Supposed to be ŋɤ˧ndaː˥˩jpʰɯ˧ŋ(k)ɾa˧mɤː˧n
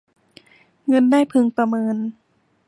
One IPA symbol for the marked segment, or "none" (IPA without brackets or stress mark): p